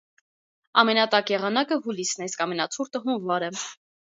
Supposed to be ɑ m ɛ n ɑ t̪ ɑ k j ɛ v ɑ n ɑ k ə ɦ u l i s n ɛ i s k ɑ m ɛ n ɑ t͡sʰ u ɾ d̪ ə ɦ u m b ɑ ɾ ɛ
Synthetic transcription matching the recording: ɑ m ɛ n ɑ t̪ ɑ k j ɛ ʁ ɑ n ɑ k ə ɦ u l i s n ɛ i s k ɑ m ɛ n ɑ t͡sʰ u ɾ t̪ ə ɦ u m v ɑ ɾ ɛ